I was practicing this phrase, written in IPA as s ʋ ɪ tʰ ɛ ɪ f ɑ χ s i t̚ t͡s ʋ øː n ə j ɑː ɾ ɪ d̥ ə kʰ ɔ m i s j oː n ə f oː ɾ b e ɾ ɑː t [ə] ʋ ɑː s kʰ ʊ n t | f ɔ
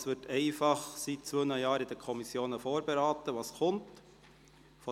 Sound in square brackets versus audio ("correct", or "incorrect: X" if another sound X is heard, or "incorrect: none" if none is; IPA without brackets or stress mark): correct